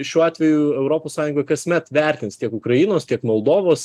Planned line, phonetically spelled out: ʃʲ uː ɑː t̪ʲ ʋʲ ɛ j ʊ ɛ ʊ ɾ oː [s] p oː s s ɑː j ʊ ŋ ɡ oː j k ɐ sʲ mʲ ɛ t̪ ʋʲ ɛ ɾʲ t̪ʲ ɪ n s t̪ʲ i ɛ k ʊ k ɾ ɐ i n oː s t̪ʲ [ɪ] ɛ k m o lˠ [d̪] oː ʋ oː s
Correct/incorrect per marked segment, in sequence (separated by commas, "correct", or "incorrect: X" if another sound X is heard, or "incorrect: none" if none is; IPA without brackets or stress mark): incorrect: none, incorrect: i, correct